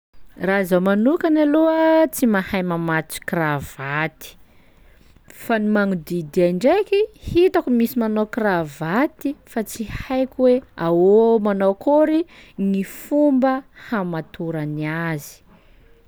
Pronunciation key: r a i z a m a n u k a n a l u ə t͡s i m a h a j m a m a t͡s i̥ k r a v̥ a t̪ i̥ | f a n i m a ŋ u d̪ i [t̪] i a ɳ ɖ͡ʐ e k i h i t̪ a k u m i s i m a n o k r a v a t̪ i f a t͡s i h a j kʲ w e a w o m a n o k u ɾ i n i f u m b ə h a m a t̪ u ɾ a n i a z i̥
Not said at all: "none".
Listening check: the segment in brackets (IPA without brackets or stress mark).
d̪